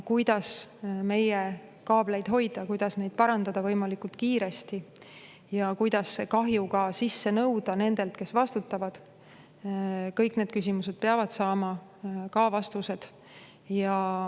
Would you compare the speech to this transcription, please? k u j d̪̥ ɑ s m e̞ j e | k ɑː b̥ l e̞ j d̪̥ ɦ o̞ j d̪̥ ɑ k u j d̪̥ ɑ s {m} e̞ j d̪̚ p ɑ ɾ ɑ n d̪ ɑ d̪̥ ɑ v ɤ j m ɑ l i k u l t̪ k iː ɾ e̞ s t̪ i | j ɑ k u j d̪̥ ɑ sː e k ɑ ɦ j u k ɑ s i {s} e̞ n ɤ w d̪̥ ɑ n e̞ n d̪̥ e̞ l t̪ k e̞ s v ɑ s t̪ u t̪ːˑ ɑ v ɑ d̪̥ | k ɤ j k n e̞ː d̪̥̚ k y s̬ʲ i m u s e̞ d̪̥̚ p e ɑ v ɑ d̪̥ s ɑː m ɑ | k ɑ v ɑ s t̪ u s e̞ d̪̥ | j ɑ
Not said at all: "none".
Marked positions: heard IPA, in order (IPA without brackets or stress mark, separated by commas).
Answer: n, sː